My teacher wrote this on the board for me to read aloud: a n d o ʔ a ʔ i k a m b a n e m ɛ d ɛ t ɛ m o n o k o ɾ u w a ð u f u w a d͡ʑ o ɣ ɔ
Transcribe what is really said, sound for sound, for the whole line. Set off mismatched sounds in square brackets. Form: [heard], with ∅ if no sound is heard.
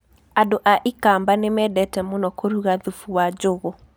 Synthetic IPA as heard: a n d o ʔ a ʔ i k a m b a n e m ɛ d ɛ t ɛ m o n [ɔ] k o ɾ u [ɣ] a ð u f u w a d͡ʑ o ɣ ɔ